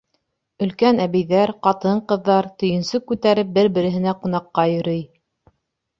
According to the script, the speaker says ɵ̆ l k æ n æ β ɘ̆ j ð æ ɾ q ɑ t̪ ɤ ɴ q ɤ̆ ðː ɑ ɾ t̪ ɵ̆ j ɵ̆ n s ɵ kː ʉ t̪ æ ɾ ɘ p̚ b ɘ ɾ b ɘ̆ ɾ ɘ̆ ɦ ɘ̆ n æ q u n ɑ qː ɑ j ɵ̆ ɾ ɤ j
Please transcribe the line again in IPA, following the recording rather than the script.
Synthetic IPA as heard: ɵ̆ l k æ n æ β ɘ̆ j ð æ ɾ q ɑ t̪ ɤ ɴ q ɤ̆ ðː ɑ ɾ t̪ ɵ̆ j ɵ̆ n s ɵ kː ʉ t̪ æ ɾ ɘ p̚ b ɘ ɾ b ɘ̆ ɾ ɘ̆ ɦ ɘ̆ n æ q u n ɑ qː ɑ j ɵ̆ ɾ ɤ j